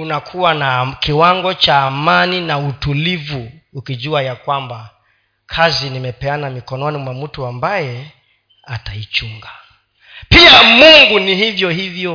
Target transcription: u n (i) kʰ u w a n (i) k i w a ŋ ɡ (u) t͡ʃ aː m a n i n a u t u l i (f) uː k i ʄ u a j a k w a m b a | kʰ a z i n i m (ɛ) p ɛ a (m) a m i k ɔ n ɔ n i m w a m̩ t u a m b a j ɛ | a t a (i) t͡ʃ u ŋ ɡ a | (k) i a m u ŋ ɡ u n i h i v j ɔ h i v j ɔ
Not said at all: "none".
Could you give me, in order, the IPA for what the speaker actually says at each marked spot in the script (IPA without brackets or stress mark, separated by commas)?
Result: a, a, ɔ, v, ɛ, n, i, p